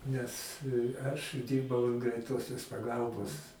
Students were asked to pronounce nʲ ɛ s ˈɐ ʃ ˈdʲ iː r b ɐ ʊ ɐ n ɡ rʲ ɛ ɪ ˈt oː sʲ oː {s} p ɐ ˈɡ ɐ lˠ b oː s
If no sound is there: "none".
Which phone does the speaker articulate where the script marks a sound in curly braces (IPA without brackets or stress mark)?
s